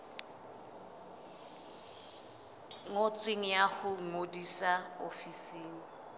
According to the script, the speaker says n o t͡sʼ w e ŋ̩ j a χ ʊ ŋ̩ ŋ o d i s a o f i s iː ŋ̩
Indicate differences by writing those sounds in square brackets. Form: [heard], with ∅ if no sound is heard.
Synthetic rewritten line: [ŋ] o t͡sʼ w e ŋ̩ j a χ ʊ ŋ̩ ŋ o d i s a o f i s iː ŋ̩